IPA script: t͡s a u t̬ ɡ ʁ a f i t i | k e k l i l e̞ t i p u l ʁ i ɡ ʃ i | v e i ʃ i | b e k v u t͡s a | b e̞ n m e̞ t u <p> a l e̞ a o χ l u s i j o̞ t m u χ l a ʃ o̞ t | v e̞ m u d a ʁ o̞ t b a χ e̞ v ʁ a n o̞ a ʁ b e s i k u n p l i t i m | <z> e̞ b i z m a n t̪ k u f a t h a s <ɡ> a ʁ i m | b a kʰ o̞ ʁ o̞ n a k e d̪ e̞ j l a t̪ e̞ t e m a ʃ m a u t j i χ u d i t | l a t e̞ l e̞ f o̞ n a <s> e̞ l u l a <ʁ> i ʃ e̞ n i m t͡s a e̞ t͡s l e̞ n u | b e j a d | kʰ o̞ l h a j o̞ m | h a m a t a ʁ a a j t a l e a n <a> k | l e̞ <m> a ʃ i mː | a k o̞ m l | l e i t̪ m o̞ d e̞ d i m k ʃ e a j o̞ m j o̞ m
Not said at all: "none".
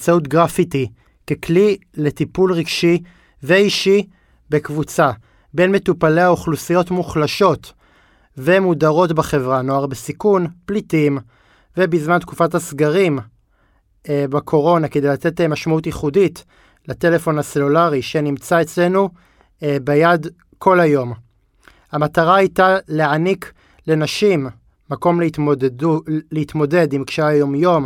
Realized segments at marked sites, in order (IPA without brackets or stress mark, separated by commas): p, v, ɡ, s, ʁ, i, n